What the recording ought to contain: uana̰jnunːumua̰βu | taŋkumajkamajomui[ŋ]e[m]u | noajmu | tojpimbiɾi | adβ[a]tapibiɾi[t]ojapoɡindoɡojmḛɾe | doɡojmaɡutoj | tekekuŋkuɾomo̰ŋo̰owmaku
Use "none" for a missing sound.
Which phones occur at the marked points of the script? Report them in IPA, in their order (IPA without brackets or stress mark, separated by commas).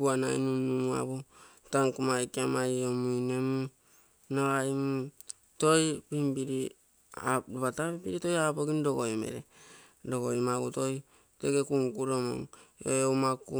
n, m, a, t